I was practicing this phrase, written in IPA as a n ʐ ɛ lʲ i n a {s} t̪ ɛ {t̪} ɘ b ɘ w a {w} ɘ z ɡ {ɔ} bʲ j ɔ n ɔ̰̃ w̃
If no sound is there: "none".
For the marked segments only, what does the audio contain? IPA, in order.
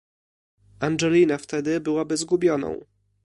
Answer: f, d̪, b, u

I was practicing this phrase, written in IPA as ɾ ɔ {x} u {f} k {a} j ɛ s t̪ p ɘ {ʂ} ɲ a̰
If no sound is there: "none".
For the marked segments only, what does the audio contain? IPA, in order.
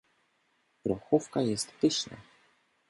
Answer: x, f, a, ɕ

